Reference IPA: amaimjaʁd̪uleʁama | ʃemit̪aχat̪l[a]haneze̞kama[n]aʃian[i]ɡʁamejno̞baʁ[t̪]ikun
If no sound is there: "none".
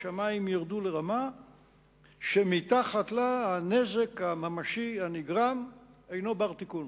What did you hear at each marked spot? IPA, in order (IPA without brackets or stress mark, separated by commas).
a, m, i, t̪